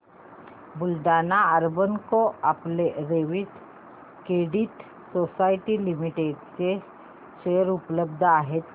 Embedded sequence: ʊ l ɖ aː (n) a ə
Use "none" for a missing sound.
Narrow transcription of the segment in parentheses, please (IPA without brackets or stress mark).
n